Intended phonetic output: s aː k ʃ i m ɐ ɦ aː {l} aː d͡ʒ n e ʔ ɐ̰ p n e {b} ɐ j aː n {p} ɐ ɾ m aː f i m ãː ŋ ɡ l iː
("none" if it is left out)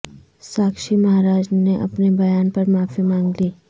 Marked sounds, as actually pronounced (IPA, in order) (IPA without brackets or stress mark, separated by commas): ɾ, b, p